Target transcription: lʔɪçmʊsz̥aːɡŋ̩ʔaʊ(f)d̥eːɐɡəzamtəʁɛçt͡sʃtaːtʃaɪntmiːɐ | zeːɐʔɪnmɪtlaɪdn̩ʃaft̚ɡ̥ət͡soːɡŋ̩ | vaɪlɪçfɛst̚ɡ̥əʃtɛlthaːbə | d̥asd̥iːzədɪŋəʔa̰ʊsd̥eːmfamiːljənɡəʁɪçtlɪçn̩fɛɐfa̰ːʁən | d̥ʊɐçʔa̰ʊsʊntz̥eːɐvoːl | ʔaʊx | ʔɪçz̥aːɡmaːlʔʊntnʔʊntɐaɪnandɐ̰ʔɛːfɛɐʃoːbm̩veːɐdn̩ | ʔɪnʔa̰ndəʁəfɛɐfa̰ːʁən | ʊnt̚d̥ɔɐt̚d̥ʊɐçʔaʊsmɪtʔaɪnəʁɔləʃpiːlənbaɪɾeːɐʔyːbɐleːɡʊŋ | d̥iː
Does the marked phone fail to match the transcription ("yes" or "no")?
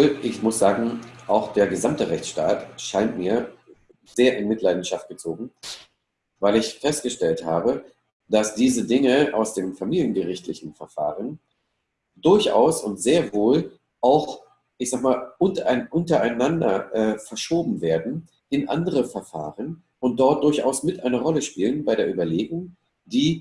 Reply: yes